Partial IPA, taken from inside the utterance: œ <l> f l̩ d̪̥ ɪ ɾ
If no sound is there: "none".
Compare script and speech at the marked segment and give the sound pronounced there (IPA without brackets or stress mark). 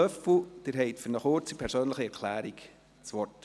none